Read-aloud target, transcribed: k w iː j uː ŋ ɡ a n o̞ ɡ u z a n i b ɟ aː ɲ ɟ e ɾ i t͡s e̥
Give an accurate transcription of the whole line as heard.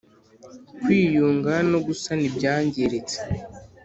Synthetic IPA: k w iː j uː ŋ ɡ a n o̞ ɡ u s a n i b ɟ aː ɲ ɟ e ɾ e t͡s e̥

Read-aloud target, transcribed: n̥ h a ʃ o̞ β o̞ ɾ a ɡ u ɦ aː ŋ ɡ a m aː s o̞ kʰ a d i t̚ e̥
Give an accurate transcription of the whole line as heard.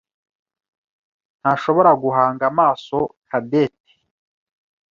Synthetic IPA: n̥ h a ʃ o̞ β o̞ ɾ a ɡ u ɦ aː ŋ ɡ a m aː s o̞ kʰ a d e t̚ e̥

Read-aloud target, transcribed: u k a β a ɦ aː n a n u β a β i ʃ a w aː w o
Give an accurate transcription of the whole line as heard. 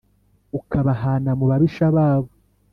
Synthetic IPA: u k a β a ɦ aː n a m u β a β i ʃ a β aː β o

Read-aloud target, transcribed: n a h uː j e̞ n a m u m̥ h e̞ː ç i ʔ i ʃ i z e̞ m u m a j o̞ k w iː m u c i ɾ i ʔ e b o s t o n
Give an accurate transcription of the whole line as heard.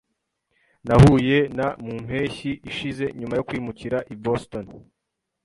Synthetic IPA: n a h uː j e̞ n a m u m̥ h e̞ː ç i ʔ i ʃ i z e̞ ɲ u m a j o̞ k w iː m u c i ɾ a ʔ i b o s t o n

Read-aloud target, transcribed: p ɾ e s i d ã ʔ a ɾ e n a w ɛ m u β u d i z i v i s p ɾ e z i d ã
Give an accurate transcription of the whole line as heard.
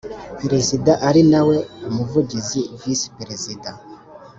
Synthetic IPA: p ɾ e z i d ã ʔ a ɾ i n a w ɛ m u v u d i z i v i s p ɾ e z i d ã

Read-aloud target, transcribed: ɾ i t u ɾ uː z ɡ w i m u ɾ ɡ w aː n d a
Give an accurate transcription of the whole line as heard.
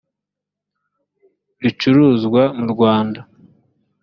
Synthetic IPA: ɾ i t͡ʃ u ɾ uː z ɡ w a m u ɾ ɡ w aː n d a

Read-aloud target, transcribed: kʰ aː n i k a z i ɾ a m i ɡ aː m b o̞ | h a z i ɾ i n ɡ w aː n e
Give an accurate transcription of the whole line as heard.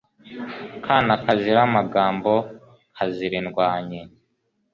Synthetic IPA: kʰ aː n a k a z i ɾ a m a ɡ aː m b o̞ | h a z i ɾ i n ɡ w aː ɲ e

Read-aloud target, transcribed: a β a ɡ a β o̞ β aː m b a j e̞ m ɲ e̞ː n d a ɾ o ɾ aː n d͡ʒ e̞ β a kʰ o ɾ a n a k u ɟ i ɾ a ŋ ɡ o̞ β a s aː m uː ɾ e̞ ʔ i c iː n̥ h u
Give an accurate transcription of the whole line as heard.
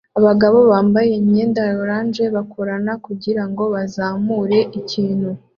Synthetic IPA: a β a ɡ a β o̞ β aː m b a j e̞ m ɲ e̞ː n d a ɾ o ɾ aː n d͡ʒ e̞ β a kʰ o ɾ a n a k u ɟ i ɾ a ŋ ɡ o̞ β a z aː m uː ɾ e̞ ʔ i c iː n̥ h u

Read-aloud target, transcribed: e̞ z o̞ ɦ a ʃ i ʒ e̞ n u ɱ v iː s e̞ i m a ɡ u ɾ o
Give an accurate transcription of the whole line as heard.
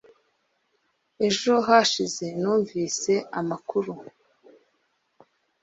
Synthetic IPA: e̞ ʒ o̞ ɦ a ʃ i z e̞ n uː ɱ v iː s e̞ a m a k u ɾ u

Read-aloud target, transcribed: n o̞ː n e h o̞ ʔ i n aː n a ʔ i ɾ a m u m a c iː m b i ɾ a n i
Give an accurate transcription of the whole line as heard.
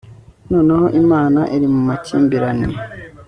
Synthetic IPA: n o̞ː n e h o̞ ʔ i m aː n a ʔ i ɾ i m u m a c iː m b i ɾ a n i

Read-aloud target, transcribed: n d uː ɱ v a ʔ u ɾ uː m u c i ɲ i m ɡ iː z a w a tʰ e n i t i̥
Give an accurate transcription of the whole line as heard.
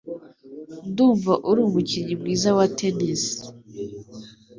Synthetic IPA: n d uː ɱ v a ʔ u ɾ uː m u c i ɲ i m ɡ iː z a w a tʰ e n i s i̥

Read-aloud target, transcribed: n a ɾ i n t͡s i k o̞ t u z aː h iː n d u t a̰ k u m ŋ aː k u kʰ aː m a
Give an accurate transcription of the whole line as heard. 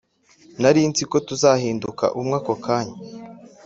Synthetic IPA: n a ɾ i n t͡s i k o̞ t u z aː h iː n d u k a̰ ʔ u m ŋ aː k o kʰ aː ɲ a

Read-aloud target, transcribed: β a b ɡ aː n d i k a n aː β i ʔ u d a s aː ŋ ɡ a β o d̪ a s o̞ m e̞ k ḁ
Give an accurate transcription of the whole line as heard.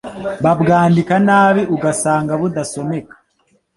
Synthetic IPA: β a b ɡ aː n d i k a n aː β i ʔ u ɡ a s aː ŋ ɡ a β u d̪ a s o̞ m e̞ k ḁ

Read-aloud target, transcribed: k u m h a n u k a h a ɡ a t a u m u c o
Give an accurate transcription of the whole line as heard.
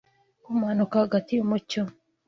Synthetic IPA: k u m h a n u k a h a ɡ a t i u m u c o

